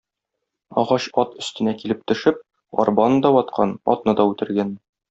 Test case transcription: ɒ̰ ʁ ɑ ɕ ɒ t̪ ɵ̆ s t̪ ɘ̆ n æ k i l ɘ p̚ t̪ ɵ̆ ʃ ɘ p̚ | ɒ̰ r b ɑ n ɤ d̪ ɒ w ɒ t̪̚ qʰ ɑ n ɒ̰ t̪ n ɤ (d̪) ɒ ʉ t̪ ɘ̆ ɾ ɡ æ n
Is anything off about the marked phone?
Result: no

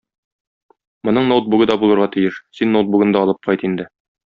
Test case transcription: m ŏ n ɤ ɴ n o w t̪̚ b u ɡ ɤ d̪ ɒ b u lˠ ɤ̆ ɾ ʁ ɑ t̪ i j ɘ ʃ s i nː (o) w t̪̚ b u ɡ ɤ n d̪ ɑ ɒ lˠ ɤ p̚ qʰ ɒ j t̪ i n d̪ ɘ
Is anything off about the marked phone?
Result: no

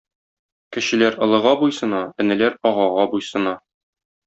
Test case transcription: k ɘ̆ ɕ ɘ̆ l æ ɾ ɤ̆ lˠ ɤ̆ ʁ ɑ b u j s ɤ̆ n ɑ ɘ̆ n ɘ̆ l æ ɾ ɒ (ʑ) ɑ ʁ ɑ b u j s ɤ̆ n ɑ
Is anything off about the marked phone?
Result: yes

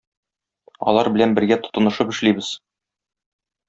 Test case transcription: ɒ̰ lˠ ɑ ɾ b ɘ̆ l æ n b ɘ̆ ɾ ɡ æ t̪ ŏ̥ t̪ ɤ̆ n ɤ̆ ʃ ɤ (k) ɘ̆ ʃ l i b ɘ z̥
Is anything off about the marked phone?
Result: yes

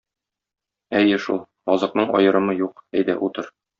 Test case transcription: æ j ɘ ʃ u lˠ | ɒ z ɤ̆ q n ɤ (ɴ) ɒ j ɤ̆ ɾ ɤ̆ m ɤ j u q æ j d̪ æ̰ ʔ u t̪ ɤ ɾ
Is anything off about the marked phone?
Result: no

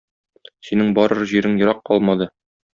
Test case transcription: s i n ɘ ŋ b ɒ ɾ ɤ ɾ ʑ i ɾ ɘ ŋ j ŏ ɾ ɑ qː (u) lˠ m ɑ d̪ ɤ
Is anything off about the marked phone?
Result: yes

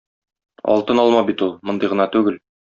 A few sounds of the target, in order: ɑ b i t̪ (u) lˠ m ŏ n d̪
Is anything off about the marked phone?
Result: no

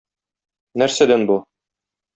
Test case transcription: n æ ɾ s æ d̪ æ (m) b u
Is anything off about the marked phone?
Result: yes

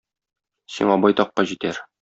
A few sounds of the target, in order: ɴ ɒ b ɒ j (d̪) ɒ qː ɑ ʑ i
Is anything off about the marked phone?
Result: yes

